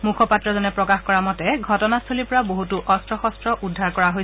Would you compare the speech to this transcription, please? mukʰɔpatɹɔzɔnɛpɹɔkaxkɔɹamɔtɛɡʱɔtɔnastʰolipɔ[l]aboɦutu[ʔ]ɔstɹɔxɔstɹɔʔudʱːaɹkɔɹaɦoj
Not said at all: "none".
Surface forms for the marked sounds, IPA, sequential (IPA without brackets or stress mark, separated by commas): ɹ, ʔ